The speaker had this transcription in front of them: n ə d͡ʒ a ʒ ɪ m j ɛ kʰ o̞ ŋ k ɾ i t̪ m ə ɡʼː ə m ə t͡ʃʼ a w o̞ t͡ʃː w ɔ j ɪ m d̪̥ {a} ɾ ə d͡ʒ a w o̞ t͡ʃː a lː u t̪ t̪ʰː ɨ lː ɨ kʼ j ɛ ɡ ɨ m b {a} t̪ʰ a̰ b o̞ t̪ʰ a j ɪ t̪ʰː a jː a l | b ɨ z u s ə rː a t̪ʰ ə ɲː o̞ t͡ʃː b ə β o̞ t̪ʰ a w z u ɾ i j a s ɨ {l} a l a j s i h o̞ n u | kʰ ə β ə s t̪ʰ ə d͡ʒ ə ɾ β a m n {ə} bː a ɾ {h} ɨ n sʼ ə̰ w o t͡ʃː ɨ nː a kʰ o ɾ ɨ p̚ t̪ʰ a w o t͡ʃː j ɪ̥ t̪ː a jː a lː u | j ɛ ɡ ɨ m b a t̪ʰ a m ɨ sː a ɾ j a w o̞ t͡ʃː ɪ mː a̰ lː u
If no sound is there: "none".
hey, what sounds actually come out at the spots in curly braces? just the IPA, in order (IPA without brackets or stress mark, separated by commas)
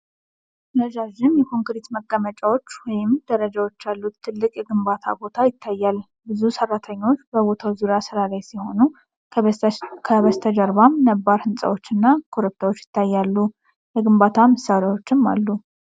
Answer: ə, a, ɾ, ə, h